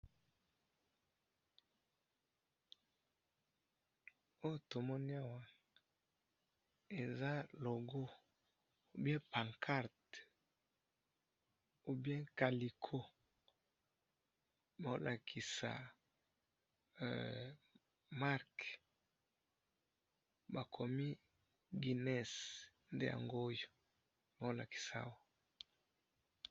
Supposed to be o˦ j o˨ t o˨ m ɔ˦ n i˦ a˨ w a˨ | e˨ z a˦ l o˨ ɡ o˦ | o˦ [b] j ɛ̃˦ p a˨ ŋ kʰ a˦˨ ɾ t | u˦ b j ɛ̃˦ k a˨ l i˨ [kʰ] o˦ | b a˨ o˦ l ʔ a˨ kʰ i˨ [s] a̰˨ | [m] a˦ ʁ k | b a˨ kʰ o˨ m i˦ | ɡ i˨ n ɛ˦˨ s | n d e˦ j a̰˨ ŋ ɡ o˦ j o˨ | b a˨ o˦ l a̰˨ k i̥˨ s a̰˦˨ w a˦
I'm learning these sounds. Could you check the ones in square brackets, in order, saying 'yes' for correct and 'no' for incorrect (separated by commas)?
yes, yes, yes, yes